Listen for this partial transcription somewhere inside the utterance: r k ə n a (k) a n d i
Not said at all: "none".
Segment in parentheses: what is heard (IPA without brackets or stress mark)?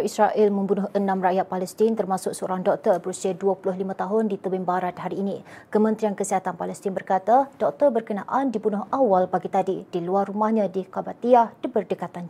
ʔ